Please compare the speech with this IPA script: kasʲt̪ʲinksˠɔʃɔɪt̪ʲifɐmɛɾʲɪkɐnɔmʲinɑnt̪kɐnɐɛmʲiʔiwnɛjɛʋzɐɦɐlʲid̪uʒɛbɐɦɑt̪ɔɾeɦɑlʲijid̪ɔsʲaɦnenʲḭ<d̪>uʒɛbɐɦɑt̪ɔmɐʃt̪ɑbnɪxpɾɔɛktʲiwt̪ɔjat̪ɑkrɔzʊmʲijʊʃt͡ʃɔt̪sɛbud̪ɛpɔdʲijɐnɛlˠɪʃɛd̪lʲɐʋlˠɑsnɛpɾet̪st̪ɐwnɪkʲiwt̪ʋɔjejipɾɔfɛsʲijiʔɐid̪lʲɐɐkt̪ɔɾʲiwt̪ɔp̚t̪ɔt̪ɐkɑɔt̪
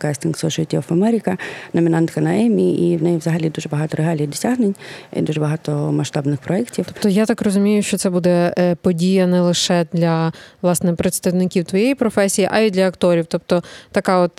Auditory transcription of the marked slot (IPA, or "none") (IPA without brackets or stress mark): d̪